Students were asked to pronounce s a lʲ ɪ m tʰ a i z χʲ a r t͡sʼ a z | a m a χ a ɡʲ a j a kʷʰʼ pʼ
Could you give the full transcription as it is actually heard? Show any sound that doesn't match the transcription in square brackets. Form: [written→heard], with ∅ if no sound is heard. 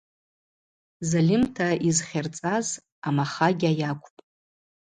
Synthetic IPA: [s→z] a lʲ ɪ m tʰ a i z χʲ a r t͡sʼ a z | a m a χ a ɡʲ a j a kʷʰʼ pʼ